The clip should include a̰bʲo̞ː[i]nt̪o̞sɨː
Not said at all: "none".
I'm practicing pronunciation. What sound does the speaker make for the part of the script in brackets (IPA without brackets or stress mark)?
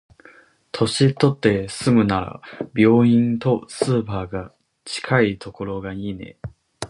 ĩ